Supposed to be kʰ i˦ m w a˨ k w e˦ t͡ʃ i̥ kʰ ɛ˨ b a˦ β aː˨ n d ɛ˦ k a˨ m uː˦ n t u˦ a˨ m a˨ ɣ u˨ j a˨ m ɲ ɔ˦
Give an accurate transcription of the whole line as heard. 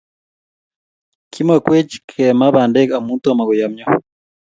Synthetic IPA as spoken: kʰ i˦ m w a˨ k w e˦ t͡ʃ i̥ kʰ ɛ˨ m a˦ β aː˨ n d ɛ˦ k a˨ m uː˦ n t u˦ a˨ m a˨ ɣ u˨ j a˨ m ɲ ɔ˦